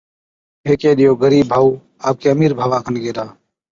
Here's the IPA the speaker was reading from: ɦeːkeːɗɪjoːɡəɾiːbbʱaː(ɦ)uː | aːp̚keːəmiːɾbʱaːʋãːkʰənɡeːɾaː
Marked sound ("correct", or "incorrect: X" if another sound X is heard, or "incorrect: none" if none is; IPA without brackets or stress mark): incorrect: none